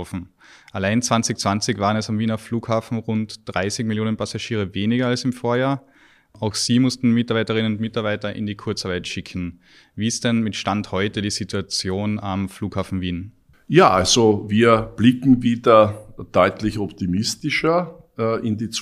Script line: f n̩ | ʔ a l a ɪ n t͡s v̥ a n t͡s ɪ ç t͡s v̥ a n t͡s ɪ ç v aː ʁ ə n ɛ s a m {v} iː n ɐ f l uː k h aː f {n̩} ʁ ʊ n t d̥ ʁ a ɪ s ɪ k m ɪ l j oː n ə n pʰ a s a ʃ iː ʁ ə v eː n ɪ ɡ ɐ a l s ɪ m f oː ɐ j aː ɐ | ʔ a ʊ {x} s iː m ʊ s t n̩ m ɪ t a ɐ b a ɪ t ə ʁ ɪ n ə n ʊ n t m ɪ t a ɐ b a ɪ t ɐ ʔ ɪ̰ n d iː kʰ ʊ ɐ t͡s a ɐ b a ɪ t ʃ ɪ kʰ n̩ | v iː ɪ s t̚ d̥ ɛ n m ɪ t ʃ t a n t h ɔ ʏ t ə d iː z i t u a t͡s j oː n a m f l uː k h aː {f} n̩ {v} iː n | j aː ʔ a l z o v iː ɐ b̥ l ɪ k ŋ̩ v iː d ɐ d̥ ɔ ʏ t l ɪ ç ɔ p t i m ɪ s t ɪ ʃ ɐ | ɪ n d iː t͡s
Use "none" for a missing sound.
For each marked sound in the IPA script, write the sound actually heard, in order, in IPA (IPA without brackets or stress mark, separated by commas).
v, n̩, x, f, v